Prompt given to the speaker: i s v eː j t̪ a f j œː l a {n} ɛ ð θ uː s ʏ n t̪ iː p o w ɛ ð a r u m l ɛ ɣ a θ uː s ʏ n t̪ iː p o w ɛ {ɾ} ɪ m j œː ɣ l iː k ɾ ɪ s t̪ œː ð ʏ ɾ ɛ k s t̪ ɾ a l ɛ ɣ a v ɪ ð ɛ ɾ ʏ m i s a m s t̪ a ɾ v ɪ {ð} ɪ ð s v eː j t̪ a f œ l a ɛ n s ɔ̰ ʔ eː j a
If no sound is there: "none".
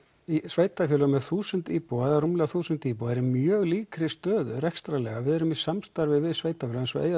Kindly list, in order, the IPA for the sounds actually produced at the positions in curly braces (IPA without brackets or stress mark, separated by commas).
m, ɾ, v